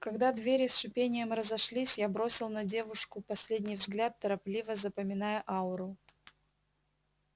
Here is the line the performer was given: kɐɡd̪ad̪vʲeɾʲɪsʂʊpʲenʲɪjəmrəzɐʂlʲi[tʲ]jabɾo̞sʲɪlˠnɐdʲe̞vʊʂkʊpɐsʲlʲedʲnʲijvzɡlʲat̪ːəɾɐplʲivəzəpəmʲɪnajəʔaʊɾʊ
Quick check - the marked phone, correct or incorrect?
incorrect